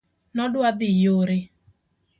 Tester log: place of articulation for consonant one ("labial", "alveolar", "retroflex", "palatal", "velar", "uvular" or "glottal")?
alveolar